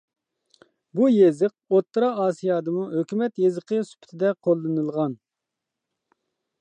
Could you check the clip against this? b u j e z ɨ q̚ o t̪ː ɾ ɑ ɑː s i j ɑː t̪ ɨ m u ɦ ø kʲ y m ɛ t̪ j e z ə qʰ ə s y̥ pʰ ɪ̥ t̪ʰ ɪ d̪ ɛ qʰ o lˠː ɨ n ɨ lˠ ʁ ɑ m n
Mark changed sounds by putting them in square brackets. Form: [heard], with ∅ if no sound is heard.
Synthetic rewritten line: b u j e z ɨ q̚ o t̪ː ɾ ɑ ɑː s i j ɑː [d̪] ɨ m u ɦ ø kʲ y m ɛ t̪ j e z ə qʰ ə s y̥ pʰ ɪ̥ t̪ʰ ɪ d̪ ɛ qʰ o lˠː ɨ n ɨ lˠ ʁ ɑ [∅] n